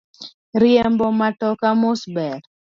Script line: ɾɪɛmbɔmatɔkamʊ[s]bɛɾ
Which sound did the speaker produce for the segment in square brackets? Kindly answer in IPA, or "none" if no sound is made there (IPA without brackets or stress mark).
s